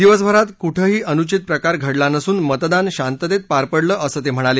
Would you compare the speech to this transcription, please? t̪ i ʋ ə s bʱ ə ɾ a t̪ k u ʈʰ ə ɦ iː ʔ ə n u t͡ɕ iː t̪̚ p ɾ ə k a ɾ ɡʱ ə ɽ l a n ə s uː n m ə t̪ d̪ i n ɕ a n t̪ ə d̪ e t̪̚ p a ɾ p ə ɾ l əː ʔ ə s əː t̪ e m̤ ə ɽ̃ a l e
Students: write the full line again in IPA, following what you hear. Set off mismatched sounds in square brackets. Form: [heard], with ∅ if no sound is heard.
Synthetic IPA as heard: [d̪] i ʋ ə s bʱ ə ɾ a t̪ k u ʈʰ ə ɦ iː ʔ ə n u t͡ɕ [i] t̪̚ p ɾ ə k a ɾ ɡʱ ə ɽ l a n ə s uː n m ə t̪ d̪ [a] n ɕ a n t̪ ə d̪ e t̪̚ p a ɾ p ə [ɽ] l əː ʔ ə s əː t̪ e m̤ ə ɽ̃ a l e